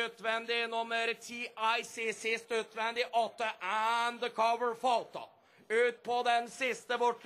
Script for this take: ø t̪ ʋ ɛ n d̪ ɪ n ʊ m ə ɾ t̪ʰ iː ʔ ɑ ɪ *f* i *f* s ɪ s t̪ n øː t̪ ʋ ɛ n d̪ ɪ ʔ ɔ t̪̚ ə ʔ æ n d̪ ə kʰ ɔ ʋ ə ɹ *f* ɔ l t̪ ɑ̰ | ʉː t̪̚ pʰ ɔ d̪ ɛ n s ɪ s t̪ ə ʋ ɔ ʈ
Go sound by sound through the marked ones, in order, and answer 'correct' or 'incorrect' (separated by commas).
incorrect, incorrect, correct